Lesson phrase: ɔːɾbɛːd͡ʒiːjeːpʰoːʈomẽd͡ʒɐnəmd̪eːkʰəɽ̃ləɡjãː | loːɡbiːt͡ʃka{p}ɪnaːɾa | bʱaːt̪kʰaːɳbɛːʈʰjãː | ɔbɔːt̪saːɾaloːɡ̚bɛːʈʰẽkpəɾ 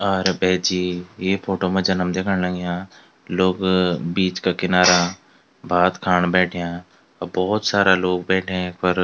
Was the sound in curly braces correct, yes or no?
no